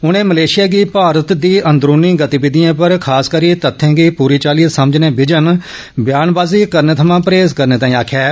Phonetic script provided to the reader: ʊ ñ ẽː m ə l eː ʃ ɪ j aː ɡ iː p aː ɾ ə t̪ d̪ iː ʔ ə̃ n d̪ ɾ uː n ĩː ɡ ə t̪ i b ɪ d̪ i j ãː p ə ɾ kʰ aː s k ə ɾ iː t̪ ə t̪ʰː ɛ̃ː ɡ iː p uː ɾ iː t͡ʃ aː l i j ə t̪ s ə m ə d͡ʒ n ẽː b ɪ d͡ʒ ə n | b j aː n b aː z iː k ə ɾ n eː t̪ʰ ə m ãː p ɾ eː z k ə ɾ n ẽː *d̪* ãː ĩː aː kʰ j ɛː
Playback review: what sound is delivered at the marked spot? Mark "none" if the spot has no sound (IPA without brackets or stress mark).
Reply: t̪